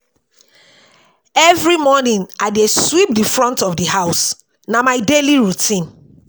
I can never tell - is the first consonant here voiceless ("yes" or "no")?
no